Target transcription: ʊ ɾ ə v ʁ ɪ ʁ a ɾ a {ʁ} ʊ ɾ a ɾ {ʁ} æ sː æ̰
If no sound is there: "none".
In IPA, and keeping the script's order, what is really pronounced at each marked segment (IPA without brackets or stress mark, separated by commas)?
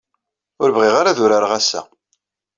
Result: ð, ʁ